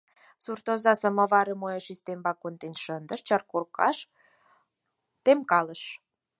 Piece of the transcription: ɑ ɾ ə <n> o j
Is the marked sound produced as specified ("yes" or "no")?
no